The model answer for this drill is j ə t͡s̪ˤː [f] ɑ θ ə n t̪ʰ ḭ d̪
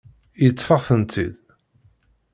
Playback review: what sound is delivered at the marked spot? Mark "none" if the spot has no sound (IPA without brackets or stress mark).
f